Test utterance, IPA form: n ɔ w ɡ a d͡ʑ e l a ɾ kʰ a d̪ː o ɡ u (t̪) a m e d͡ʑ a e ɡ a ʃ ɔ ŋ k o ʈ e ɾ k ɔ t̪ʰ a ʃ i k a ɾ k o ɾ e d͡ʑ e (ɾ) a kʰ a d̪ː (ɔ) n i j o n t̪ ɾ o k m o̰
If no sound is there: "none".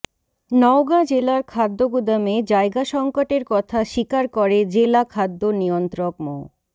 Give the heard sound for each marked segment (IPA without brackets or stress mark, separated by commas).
d̪, l, o